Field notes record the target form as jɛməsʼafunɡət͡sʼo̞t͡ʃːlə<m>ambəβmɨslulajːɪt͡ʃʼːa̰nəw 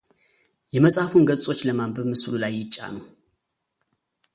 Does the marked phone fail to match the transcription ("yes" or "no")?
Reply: no